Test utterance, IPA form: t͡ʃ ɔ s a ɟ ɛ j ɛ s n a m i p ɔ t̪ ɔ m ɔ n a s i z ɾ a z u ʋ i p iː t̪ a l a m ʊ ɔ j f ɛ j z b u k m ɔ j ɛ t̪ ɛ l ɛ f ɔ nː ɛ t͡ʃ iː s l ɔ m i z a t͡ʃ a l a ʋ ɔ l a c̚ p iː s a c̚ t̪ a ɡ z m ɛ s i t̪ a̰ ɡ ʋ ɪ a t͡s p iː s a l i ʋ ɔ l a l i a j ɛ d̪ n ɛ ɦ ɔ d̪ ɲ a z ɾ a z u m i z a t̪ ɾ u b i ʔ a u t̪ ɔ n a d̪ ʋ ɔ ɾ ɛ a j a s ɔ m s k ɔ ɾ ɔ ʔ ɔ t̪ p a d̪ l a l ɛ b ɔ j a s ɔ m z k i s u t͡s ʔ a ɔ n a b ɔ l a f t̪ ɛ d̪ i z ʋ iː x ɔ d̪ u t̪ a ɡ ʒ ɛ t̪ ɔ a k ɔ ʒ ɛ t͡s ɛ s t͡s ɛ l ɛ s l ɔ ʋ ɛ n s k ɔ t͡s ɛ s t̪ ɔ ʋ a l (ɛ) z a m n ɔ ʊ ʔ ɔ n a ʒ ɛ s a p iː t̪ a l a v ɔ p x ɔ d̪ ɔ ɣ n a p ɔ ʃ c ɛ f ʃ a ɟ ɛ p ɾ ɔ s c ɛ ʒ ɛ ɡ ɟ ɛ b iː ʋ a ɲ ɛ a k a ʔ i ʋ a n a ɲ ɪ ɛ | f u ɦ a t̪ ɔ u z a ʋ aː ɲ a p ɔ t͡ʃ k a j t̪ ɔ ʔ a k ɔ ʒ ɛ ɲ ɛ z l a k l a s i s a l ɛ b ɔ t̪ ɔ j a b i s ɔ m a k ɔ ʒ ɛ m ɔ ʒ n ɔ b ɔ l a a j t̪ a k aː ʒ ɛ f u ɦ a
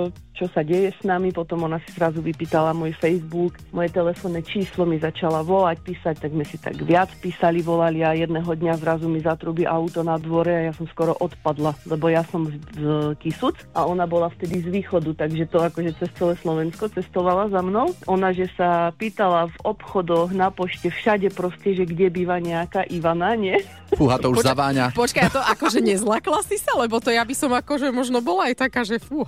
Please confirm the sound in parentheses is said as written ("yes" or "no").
no